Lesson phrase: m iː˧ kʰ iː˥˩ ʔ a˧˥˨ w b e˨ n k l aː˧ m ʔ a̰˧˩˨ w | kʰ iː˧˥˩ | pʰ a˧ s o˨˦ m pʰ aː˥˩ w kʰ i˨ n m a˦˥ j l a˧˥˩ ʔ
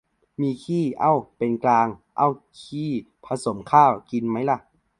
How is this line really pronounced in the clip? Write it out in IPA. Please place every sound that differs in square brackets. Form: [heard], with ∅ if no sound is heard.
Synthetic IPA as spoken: m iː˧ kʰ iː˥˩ ʔ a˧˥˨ w [p] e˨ n k l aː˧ [ŋ] ʔ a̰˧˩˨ w | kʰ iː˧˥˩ | pʰ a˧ s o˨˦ m [kʰ] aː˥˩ w [k] i˨ n m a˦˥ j l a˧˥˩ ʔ